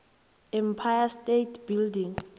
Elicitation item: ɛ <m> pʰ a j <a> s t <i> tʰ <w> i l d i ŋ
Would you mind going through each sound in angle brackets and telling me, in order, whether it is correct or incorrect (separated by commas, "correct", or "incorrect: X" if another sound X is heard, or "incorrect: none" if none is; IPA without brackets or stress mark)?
correct, correct, incorrect: e, incorrect: b